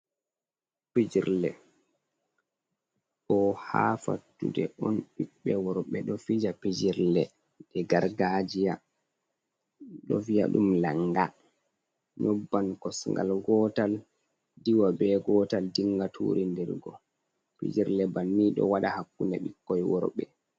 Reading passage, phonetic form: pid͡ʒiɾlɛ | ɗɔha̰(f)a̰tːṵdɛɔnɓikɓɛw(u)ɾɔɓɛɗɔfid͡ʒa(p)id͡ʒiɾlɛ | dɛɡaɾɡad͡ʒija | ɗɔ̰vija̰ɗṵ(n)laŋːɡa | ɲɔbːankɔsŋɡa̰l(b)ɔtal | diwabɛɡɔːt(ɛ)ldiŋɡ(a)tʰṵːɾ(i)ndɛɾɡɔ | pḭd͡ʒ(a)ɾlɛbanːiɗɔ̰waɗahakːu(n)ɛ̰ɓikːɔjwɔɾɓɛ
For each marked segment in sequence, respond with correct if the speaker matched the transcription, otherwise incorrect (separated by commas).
correct, incorrect, correct, incorrect, incorrect, incorrect, correct, correct, incorrect, correct